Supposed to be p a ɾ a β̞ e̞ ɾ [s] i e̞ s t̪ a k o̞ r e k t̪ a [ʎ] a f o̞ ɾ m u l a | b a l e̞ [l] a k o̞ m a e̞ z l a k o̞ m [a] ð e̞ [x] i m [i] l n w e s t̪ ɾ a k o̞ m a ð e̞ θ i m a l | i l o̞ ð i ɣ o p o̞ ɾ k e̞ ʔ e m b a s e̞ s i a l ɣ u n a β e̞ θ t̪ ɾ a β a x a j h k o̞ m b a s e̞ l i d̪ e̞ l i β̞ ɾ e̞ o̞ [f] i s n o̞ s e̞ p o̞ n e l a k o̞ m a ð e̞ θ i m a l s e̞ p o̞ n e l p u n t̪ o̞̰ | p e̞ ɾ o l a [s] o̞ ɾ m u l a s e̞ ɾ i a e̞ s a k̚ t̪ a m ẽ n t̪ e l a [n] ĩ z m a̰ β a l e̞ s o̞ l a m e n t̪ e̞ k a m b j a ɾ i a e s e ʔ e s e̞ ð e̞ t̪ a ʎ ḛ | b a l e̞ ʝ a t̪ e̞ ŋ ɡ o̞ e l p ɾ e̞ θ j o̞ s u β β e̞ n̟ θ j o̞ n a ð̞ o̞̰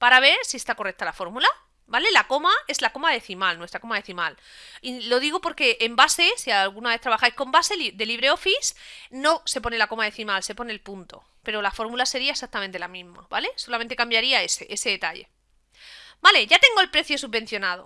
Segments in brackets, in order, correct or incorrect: correct, incorrect, correct, correct, incorrect, incorrect, correct, incorrect, incorrect

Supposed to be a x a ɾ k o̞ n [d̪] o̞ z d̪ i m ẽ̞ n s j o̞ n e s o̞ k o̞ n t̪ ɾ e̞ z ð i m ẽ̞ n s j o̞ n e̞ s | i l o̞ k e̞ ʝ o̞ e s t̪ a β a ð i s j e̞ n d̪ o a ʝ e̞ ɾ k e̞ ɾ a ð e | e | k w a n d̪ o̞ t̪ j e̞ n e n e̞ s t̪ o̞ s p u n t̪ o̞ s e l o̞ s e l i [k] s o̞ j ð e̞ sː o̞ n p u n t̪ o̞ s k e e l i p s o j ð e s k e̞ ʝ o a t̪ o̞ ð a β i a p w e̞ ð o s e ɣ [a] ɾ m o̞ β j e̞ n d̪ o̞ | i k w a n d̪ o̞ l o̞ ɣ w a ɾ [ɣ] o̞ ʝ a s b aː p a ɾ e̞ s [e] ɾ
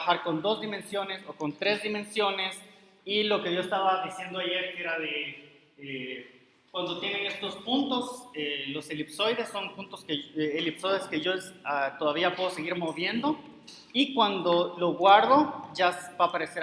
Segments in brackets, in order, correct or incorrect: correct, incorrect, incorrect, incorrect, correct

